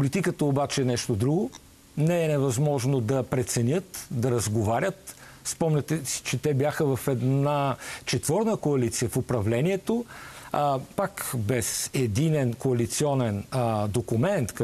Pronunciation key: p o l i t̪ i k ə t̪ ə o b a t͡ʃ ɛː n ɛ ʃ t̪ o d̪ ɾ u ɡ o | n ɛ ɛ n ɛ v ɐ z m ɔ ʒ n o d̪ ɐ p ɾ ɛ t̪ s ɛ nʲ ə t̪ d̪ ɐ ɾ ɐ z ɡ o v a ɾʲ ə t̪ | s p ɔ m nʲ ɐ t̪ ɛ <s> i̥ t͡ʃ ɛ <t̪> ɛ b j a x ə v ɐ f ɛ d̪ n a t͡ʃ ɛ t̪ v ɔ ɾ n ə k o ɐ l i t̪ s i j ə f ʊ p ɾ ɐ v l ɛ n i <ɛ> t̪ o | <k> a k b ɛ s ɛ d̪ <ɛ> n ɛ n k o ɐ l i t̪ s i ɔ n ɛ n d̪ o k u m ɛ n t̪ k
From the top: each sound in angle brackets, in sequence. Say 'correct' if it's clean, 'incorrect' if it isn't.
correct, correct, correct, incorrect: p, incorrect: i

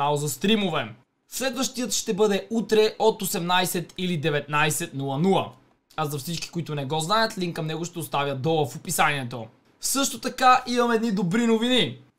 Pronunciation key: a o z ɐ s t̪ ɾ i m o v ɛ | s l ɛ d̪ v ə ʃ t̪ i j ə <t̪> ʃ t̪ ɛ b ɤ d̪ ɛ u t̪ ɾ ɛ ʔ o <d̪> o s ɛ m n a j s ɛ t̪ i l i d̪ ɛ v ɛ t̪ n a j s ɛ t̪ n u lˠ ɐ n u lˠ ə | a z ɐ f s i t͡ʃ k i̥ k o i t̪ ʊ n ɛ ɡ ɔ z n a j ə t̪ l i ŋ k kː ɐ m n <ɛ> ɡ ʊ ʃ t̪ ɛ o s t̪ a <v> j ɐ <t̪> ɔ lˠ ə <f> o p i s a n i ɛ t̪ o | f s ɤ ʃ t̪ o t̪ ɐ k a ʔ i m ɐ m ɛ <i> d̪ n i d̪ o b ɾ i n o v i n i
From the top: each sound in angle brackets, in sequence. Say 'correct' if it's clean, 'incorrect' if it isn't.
correct, incorrect: t̪, correct, correct, incorrect: d̪, correct, incorrect: ɛ

